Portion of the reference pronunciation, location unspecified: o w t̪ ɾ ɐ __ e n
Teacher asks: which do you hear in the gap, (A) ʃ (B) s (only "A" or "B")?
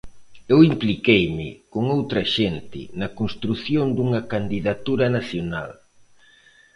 A